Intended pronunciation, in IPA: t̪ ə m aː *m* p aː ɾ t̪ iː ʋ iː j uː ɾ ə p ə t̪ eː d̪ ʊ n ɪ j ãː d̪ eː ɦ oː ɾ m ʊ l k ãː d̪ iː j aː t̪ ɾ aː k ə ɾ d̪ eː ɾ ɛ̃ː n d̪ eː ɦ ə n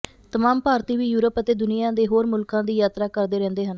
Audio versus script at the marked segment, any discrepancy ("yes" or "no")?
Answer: no